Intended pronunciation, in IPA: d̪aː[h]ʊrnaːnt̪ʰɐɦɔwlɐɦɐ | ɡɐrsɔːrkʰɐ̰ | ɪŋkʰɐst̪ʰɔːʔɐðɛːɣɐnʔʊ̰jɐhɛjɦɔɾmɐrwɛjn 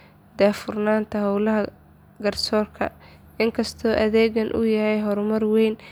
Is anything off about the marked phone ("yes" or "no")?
yes